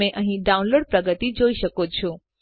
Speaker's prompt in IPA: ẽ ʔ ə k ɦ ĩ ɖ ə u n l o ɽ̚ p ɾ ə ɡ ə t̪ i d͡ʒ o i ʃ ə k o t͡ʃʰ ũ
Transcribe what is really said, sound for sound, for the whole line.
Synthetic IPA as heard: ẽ ʔ ə ɦ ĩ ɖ a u n l o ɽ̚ p ɾ ə ɡ ə t̪ i d͡ʒ o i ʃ ə k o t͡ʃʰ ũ